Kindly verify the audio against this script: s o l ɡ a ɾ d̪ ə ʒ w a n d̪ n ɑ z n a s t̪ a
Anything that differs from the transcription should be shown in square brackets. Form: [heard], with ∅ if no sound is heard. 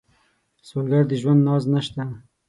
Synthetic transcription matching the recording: s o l ɡ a ɾ d̪ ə ʒ w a n d̪ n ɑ z n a [ʃ] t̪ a